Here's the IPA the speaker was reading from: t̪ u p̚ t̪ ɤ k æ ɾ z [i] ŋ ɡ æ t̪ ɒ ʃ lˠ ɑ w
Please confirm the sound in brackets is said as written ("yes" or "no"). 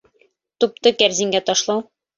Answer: yes